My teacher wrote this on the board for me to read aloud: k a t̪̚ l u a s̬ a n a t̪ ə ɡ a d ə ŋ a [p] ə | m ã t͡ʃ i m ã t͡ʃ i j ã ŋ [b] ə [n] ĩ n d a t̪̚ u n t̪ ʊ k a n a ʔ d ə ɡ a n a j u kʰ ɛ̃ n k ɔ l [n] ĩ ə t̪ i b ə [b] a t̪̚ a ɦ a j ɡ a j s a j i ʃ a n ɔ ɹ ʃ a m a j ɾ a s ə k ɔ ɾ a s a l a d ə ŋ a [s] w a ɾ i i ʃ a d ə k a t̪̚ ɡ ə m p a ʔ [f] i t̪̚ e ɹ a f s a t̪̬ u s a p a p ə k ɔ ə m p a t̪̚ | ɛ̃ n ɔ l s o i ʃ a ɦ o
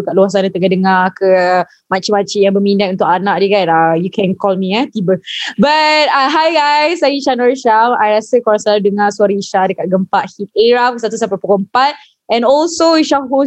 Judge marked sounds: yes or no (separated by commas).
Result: no, yes, no, no, yes, yes, no